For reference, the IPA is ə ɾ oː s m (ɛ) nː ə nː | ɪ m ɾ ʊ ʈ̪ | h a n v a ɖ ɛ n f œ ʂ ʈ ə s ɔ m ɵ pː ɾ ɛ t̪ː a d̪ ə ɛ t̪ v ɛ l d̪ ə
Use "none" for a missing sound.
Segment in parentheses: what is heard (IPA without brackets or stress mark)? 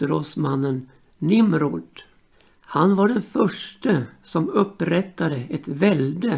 a